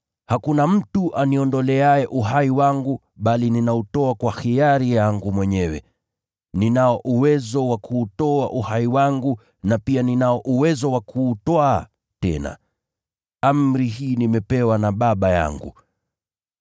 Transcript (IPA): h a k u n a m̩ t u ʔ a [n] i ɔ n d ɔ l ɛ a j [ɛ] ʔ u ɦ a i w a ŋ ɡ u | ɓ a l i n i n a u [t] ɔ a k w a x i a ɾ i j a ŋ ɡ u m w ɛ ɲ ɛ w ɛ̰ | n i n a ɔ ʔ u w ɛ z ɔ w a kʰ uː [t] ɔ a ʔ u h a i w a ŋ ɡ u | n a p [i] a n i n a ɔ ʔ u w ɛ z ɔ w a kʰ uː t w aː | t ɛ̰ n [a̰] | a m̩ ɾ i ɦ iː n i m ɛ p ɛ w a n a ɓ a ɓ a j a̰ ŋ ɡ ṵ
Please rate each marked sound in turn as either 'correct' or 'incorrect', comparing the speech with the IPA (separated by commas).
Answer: correct, correct, correct, correct, correct, correct